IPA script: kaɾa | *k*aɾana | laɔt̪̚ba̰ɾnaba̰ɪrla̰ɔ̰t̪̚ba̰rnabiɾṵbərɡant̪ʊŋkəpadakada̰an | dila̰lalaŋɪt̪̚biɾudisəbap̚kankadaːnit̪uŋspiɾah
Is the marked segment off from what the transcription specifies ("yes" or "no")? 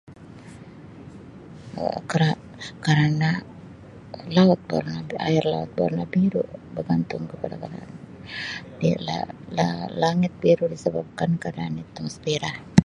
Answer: no